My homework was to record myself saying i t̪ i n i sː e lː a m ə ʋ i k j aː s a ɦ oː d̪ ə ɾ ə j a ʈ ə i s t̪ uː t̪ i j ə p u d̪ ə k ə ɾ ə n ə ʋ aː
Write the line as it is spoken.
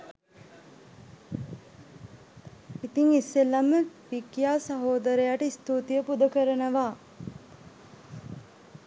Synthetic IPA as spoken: i t̪ i ŋ i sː e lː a m ə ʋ i k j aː s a ɦ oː d̪ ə ɾ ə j a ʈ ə i s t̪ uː t̪ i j ə p u d̪ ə k ə ɾ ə n ə ʋ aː